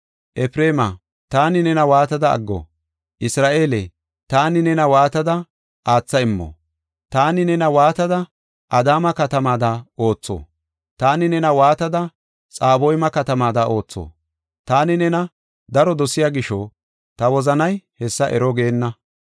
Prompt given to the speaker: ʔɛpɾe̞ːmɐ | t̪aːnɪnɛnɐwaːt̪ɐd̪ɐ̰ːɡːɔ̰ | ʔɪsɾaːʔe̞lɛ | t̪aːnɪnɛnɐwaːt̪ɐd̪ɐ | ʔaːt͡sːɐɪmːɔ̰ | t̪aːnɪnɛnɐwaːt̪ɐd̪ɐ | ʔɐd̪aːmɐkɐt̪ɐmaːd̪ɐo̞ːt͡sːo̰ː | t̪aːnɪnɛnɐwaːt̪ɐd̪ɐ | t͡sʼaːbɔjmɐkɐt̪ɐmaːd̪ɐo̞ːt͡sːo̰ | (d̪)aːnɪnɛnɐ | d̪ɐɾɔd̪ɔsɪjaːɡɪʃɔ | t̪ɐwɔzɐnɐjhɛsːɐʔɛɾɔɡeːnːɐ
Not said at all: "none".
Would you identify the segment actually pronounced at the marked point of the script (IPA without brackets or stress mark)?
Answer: t̪